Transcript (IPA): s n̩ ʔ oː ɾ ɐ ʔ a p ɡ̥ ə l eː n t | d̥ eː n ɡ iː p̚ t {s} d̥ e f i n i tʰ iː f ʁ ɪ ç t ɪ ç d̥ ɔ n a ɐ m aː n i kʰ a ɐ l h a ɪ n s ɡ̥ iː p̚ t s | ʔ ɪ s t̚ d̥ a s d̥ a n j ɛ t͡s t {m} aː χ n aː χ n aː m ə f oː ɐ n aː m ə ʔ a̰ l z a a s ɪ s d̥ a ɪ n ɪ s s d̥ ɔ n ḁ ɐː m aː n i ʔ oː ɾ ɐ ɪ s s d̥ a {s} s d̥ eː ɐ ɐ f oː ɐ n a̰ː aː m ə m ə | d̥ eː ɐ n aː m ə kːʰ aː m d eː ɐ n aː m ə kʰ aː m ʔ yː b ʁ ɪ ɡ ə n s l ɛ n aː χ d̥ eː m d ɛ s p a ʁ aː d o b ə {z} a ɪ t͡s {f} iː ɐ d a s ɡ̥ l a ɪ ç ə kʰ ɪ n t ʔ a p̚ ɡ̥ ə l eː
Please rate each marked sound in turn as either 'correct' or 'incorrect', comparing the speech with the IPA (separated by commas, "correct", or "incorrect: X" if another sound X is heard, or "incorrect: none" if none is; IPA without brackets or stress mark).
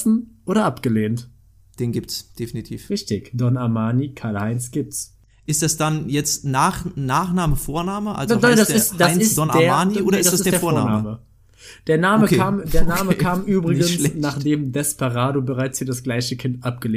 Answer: correct, incorrect: n, correct, incorrect: ʁ, incorrect: h